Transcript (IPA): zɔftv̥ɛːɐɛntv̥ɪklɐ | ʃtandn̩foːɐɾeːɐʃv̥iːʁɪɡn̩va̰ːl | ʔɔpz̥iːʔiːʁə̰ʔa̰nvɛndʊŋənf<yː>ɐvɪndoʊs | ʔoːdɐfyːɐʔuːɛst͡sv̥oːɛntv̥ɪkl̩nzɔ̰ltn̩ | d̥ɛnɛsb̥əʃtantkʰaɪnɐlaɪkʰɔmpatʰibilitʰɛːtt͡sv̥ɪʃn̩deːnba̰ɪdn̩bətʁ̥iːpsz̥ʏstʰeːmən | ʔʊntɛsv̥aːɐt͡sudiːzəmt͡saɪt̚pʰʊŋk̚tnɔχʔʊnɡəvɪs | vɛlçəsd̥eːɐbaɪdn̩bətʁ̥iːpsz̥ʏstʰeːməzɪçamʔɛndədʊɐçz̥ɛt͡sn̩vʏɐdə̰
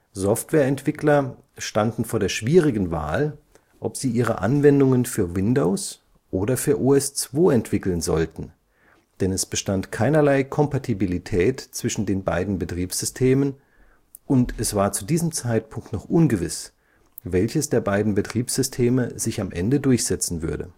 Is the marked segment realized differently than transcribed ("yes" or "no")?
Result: no